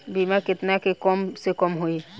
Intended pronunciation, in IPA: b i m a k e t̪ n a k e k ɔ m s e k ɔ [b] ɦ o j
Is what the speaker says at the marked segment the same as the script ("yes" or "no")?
no